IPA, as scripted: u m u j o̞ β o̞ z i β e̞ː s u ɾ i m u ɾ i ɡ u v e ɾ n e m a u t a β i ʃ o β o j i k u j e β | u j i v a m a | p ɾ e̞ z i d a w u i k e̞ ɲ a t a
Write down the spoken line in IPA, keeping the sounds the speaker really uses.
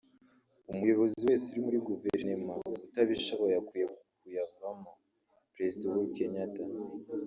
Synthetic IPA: u m u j o̞ β o̞ z i w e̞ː s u ɾ i m u ɾ i ɡ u v e ɾ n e m a u t a β i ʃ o β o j a k u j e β | u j a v a m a | p ɾ e̞ z i d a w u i k e̞ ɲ a t a